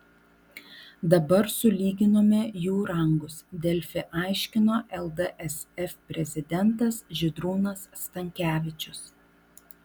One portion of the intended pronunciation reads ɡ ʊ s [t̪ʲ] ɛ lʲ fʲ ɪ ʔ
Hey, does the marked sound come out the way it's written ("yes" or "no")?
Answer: no